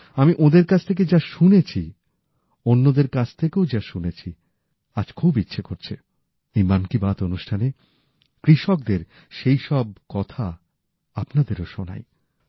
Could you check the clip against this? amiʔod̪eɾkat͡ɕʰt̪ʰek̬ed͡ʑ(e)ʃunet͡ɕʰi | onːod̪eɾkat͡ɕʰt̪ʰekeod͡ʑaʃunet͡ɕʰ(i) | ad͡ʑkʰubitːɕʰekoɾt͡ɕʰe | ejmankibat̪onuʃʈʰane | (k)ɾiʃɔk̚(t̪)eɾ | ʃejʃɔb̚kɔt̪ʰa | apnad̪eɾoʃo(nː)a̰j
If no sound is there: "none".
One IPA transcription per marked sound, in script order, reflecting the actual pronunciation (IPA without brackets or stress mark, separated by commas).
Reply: a, i, k, d̪, n